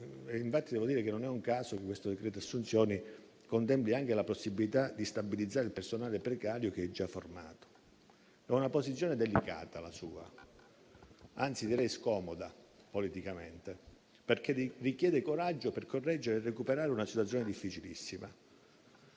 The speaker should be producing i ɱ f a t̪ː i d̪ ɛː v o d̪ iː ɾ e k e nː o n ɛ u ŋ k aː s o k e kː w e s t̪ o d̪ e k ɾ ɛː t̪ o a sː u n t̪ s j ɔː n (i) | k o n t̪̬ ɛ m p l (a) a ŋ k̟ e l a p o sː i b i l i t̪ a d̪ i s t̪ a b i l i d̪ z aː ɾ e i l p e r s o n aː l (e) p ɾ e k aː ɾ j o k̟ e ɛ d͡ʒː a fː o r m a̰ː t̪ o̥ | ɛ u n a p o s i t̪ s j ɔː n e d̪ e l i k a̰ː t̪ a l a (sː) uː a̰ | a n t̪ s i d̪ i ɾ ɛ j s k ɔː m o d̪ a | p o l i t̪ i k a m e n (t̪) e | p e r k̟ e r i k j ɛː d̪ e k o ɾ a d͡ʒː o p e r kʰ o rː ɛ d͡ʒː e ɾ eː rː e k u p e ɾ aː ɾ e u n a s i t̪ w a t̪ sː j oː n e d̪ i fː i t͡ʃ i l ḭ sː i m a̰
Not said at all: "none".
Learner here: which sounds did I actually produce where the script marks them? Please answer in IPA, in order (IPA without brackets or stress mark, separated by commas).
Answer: i, i, e, s, t̪